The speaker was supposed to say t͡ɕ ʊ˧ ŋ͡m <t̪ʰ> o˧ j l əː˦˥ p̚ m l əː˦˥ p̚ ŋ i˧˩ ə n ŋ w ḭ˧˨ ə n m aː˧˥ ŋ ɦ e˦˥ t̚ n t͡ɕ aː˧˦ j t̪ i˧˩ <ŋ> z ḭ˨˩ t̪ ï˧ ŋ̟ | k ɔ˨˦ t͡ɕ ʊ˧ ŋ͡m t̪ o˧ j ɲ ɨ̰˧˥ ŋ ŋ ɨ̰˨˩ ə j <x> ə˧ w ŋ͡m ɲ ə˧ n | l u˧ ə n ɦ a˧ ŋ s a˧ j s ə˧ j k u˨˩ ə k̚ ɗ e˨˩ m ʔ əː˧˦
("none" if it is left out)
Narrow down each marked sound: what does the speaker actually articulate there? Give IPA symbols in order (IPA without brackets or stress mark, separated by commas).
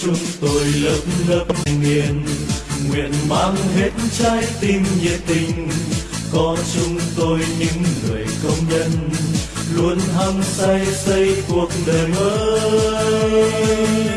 t̪, m, k